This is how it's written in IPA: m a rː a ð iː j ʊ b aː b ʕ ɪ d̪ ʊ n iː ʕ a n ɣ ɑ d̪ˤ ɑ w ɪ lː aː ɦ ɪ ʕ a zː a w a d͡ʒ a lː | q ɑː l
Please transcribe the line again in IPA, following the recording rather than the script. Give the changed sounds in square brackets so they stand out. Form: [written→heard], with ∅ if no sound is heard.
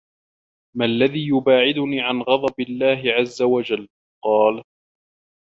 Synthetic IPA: m a [rː→lː] a ð iː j ʊ b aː [b→∅] ʕ ɪ d̪ ʊ n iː ʕ a n ɣ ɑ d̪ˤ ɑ [w→b] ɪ lː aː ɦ ɪ ʕ a zː a w a d͡ʒ a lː | q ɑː l